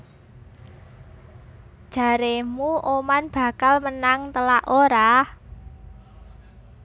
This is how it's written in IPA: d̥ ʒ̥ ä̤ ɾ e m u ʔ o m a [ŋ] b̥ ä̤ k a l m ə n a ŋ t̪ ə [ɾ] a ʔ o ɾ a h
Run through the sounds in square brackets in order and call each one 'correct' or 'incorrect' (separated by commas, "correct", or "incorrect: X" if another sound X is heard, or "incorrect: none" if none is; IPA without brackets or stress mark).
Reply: incorrect: n, incorrect: l